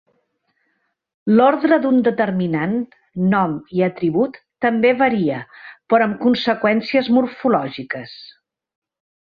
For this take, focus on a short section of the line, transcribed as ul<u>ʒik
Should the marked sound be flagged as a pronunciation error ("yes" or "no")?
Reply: yes